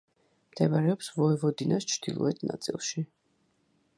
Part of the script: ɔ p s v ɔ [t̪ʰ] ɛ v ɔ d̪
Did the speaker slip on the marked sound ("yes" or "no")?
yes